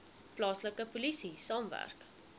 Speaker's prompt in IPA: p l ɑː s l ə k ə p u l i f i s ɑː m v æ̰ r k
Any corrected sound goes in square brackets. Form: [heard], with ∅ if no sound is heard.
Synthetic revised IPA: p l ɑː s l ə k ə p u l i [s] i s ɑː m v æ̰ r k

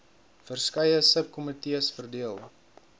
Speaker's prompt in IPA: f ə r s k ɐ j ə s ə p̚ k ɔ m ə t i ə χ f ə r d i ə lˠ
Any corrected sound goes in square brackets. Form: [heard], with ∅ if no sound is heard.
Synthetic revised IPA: f ə r s k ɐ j ə s ə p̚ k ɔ m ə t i ə [s] f ə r d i ə lˠ

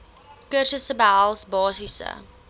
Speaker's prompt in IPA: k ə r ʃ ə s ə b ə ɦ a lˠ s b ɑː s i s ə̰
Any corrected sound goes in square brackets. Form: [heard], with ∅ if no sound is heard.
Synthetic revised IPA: k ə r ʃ ə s ə b ə ɦ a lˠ s b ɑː s i s ə̰

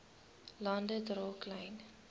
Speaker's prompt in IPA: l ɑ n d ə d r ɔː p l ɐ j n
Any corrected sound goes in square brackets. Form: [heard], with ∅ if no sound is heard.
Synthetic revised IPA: l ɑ n d ə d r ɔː [k] l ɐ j n

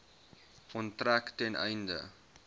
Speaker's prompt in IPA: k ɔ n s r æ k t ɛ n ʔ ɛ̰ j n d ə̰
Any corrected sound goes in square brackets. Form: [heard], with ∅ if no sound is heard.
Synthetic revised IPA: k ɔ n [t] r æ k t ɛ n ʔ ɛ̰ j n d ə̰

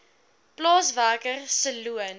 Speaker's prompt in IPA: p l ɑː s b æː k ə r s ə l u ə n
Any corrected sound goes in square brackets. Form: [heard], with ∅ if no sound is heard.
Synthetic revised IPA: p l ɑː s [v] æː k ə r s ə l u ə n

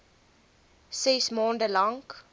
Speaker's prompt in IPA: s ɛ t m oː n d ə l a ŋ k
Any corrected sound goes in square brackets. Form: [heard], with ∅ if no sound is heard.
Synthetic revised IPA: s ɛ [s] m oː n d ə l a ŋ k

